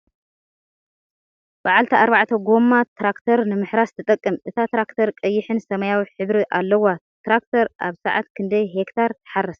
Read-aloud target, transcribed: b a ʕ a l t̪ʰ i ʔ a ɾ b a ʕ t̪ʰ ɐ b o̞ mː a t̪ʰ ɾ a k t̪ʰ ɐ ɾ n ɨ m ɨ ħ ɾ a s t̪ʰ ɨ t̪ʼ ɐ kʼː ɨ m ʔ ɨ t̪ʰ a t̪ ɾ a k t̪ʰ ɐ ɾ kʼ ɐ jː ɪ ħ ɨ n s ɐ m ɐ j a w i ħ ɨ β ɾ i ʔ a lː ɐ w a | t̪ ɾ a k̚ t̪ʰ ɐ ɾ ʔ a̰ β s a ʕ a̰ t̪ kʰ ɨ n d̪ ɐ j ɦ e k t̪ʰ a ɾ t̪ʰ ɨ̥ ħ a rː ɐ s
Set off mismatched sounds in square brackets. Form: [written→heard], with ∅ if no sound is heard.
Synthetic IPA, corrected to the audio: b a ʕ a l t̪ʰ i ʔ a ɾ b a ʕ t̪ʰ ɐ [b→ɡ] o̞ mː a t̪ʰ ɾ a k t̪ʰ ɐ ɾ n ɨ m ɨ ħ ɾ a s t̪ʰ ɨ t̪ʼ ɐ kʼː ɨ m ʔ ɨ t̪ʰ a t̪ ɾ a k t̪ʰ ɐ ɾ kʼ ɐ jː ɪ ħ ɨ n s ɐ m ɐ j a w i ħ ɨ β ɾ i ʔ a lː ɐ w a | t̪ ɾ a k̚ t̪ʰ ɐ ɾ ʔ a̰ β s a ʕ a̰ t̪ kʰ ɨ n d̪ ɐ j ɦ e k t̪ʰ a ɾ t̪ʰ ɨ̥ ħ a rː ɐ s